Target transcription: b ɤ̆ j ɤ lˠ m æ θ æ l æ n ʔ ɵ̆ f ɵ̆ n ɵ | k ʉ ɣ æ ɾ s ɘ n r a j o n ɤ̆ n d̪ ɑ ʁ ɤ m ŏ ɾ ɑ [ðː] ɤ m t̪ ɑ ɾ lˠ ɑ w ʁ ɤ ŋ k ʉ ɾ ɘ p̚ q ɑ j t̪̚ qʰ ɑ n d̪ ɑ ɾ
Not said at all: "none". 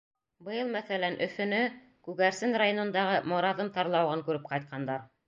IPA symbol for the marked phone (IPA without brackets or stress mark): ð